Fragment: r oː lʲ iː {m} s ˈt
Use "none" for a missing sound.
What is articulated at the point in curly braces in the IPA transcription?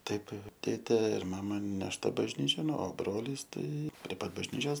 none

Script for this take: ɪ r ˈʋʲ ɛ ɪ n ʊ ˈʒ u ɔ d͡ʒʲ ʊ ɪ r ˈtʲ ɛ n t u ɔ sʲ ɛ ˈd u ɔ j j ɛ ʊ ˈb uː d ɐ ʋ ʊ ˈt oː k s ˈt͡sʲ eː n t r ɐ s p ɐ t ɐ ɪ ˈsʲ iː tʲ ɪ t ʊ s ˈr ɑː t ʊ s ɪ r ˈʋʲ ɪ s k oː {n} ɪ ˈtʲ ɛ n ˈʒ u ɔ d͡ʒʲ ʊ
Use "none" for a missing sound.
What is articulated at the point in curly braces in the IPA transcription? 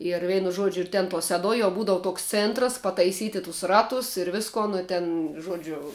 n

